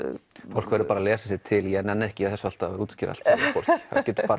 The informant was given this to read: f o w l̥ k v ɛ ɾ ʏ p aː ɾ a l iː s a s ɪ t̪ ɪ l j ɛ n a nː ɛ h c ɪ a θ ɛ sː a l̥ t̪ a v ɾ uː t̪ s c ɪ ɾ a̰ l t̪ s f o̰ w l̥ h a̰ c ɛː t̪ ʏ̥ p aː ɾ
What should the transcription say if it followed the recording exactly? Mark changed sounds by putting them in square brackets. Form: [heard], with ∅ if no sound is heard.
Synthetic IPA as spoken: f o w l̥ k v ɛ ɾ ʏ p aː ɾ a l [ɛː] s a s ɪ [t̪ʰ] ɪ l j ɛ n [ɛ] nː ɛ h c ɪ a θ ɛ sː a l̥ t̪ a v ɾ uː t̪ s c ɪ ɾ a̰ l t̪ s f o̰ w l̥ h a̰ c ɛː t̪ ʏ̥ p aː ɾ